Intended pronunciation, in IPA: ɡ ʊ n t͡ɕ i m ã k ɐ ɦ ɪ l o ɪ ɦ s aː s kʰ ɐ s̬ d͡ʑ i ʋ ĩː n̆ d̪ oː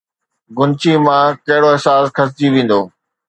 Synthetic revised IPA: ɡ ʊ n t͡ɕ i m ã k ɐ ɦ ɪ ɽ o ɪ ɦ s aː s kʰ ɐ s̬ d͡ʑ i ʋ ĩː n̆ d̪ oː